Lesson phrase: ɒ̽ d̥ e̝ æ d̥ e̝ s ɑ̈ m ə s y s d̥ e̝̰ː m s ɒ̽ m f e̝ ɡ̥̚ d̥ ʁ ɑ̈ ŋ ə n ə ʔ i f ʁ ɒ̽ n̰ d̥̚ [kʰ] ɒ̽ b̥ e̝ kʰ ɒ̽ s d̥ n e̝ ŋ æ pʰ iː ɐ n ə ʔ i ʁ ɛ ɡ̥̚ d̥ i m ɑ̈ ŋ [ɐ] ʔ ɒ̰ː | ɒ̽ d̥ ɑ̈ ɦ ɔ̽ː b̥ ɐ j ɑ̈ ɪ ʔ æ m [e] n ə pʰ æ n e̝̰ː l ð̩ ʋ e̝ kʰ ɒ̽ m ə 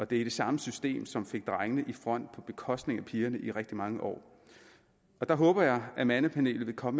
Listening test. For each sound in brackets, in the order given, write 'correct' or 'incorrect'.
incorrect: pʰ, incorrect: ə, incorrect: æ

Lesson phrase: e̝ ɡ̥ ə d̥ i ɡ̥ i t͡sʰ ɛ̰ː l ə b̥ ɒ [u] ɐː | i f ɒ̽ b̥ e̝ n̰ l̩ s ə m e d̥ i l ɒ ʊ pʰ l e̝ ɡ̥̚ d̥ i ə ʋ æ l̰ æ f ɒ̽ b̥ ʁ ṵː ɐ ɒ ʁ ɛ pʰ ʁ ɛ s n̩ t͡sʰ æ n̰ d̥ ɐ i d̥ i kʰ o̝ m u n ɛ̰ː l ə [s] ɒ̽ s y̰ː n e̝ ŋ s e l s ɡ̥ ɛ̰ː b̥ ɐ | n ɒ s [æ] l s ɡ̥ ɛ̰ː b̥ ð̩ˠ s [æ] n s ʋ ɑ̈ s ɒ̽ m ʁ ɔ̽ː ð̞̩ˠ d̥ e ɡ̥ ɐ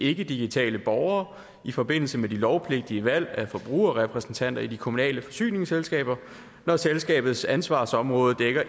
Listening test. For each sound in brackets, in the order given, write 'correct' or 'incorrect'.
incorrect: ʊ, incorrect: f, incorrect: e, correct

